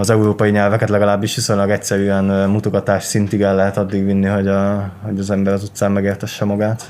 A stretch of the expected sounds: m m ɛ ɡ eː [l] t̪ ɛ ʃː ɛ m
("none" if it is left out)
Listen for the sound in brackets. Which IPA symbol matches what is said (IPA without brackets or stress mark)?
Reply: r